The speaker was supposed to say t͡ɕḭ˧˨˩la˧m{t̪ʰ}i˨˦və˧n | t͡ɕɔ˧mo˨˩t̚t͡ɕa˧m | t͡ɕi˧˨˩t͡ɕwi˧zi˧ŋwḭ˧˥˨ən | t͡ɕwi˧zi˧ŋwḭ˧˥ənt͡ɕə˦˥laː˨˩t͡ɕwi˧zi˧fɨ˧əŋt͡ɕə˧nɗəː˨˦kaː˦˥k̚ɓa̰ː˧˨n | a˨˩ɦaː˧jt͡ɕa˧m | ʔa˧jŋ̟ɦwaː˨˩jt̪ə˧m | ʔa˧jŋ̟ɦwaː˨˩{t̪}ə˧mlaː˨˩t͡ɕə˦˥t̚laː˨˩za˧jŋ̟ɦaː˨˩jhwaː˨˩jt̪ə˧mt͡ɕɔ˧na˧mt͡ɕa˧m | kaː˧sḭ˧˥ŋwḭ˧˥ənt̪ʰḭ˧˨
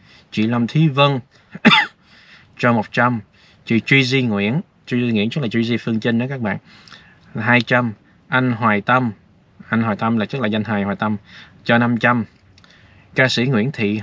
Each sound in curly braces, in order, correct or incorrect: correct, correct

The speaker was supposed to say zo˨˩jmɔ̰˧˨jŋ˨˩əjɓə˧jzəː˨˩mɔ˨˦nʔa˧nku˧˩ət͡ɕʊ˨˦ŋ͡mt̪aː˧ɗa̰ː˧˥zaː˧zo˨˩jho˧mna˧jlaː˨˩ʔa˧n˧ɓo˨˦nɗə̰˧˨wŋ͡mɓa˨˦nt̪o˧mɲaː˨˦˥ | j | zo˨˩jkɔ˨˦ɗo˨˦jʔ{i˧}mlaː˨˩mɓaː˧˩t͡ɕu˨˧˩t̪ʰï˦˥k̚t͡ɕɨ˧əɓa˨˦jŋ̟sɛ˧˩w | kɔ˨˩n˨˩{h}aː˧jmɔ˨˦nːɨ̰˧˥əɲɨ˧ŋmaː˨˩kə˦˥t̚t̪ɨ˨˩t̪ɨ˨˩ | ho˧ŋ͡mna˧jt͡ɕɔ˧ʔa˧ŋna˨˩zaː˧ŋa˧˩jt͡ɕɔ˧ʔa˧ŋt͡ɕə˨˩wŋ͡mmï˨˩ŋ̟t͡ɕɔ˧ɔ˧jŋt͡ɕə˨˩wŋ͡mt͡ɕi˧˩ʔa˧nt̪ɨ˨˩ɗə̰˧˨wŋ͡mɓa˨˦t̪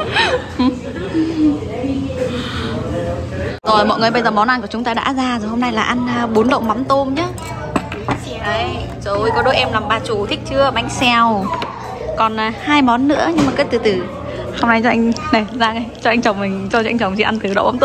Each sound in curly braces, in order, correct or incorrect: incorrect: ɛ˧, correct

